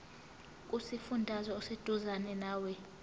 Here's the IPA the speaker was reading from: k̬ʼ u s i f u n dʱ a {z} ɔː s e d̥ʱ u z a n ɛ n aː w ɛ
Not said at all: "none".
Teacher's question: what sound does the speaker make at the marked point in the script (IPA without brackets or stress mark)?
z